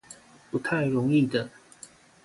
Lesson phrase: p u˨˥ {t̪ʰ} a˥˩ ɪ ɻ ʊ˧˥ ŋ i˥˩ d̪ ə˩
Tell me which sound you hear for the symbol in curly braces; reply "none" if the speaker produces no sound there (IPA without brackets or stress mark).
t̪ʰ